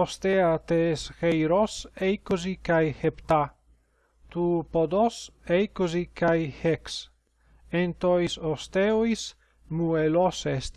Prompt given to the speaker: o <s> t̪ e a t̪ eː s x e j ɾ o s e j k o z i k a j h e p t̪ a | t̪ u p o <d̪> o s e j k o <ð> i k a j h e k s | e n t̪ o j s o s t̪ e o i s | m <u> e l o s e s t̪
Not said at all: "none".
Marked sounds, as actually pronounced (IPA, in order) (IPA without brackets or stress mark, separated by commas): s, d̪, z, u